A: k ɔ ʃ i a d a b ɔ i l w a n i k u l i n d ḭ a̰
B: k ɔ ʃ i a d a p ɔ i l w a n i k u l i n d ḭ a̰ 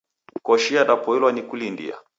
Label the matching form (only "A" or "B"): B